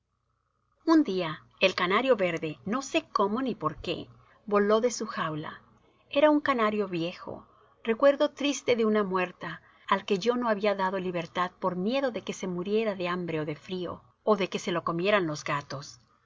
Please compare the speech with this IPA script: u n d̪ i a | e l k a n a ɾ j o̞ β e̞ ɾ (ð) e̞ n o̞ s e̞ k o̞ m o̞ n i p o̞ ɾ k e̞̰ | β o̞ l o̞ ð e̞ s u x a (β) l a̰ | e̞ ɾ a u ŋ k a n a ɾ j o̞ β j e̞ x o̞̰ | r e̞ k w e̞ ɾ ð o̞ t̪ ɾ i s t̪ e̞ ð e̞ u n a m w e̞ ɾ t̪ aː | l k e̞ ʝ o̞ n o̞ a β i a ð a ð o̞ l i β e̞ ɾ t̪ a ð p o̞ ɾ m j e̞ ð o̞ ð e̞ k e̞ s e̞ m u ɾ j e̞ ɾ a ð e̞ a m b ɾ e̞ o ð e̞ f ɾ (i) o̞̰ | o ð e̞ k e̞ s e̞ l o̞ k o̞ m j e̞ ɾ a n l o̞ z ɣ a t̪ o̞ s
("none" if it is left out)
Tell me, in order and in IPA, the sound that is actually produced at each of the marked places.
ð, w, i

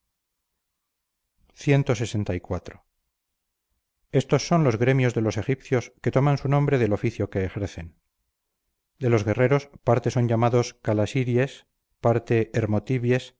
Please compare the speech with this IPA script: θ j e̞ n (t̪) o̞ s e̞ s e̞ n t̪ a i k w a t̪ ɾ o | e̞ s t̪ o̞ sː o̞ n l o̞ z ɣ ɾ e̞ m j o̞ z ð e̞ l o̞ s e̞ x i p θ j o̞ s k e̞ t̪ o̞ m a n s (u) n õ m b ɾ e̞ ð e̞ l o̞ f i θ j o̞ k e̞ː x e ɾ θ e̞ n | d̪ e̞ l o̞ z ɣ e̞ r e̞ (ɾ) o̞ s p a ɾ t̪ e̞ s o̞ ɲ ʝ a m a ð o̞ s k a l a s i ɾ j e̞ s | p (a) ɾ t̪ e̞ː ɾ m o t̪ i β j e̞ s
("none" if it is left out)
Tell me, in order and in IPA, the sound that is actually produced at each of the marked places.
t̪, u, ɾ, a

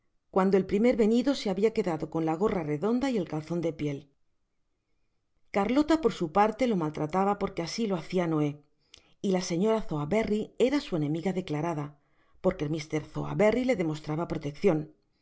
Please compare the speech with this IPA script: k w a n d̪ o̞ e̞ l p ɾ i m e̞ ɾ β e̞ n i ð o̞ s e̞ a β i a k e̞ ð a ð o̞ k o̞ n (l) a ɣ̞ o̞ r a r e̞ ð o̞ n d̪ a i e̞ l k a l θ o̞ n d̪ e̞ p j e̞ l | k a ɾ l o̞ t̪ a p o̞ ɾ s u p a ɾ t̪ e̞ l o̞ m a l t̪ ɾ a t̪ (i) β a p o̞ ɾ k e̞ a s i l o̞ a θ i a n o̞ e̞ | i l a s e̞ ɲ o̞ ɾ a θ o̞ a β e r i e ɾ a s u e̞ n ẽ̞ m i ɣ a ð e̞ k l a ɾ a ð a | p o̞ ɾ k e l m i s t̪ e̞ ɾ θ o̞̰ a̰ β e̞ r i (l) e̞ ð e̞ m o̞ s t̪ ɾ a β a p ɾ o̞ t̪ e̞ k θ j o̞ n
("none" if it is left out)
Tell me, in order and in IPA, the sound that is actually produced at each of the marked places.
l, a, l

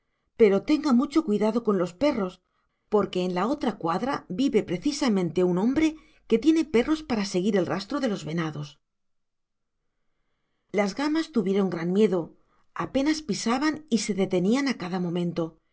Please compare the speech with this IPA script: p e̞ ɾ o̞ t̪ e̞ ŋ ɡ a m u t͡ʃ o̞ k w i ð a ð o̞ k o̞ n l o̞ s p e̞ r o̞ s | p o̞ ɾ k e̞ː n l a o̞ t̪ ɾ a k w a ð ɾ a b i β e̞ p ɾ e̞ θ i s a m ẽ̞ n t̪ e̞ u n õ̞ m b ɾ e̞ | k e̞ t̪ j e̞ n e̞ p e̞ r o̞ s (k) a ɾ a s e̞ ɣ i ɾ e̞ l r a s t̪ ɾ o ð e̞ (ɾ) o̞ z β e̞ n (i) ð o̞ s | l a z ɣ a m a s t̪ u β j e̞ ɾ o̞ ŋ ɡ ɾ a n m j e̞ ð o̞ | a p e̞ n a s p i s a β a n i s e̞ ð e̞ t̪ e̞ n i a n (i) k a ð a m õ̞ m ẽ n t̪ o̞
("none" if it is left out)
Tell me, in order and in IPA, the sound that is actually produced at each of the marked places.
p, l, a, a

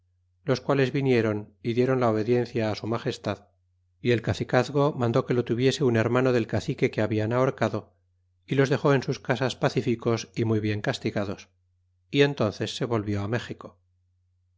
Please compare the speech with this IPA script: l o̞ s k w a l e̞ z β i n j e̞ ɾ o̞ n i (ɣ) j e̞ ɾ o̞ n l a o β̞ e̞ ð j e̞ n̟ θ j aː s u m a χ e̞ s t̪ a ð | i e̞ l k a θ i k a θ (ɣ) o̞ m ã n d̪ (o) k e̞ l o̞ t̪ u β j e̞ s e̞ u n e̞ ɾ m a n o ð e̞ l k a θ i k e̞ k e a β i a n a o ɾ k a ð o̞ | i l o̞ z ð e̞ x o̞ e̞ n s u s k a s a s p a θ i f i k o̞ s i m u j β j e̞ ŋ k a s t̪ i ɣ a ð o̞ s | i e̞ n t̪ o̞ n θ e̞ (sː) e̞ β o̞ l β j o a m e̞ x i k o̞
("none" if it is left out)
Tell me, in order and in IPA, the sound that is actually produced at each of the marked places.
ð, ɣ, o, sː

